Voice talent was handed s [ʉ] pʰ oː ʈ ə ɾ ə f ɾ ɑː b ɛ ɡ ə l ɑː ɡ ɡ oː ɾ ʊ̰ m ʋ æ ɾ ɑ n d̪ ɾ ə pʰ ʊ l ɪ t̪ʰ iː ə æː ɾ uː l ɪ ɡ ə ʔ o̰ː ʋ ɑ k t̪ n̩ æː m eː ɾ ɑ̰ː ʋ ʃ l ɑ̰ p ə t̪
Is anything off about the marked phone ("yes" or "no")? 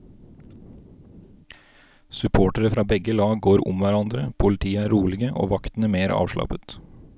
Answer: no